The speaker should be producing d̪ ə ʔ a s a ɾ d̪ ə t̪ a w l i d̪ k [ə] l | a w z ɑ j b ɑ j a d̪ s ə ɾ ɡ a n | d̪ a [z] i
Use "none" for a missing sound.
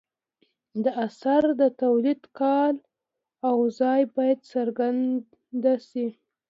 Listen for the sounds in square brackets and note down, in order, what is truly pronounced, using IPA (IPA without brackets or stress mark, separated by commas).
ɑ, s